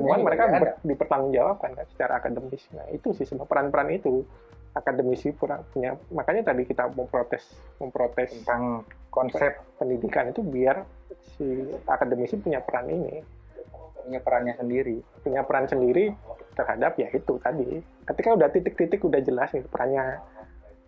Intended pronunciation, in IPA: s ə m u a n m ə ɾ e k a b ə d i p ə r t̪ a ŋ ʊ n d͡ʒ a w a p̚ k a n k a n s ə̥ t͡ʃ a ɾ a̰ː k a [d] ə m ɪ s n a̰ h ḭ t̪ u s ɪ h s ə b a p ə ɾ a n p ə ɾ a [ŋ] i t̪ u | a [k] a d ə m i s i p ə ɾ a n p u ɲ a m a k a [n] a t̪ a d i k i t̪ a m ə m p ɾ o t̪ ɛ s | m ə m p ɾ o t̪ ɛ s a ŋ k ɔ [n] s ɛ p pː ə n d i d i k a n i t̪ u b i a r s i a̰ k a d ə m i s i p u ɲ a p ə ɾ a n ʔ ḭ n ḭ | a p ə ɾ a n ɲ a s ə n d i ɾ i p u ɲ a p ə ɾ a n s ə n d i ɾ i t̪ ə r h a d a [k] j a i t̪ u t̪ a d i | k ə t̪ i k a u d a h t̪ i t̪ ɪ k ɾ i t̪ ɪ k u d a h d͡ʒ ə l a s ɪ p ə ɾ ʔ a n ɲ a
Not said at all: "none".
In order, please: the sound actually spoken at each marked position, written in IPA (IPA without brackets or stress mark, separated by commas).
d, n, k, ɲ, n, p